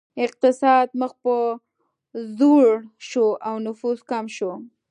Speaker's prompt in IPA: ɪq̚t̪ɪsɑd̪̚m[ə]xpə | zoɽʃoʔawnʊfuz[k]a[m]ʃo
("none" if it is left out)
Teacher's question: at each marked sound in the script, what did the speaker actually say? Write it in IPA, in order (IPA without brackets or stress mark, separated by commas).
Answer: ə, k, m